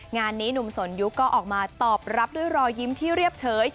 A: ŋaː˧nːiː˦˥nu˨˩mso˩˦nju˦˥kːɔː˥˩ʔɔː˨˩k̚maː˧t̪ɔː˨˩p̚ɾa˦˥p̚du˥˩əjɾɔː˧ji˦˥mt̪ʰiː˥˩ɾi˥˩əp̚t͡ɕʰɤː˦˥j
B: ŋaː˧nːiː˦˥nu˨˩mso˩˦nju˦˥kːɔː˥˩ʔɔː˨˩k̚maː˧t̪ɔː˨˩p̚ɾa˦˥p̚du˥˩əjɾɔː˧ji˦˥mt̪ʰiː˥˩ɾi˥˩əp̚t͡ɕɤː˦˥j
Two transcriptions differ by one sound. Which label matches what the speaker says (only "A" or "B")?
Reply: A